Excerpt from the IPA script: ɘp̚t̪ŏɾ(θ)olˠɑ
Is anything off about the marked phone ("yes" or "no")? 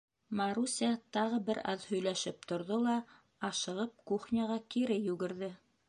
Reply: yes